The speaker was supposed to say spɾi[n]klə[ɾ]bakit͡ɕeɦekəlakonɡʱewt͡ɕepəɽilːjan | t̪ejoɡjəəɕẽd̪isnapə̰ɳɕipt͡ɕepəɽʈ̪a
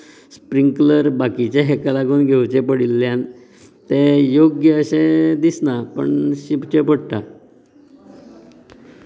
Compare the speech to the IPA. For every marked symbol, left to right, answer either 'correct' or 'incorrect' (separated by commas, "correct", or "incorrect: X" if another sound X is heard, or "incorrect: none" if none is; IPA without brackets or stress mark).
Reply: incorrect: ŋ, correct